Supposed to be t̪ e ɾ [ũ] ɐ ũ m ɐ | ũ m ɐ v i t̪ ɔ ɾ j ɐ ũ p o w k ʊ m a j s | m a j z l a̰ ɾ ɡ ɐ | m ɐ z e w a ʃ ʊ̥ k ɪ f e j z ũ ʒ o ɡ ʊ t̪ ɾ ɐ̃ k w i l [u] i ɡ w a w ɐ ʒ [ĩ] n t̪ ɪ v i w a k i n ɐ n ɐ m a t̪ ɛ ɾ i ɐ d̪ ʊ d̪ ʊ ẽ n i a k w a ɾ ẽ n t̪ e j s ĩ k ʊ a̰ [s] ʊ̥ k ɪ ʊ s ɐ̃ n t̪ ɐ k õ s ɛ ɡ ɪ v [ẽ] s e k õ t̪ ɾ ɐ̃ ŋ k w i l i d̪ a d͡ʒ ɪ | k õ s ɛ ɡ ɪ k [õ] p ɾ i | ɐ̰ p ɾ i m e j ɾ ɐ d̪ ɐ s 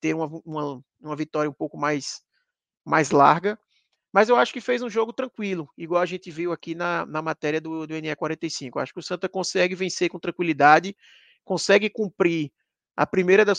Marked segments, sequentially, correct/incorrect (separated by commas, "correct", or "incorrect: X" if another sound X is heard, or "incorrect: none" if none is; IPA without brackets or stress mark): correct, incorrect: ʊ, incorrect: ẽ, incorrect: ʃ, correct, incorrect: ũ